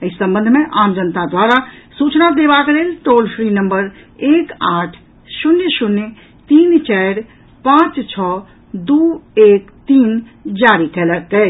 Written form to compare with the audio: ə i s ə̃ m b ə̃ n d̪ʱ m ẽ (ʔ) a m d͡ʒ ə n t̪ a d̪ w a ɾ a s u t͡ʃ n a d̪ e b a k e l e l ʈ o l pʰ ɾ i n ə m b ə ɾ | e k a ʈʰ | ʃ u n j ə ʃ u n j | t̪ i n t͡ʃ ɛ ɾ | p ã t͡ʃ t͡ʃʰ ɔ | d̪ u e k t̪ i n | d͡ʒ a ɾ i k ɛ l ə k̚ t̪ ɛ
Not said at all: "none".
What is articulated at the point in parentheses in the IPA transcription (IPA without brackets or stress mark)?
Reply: ʔ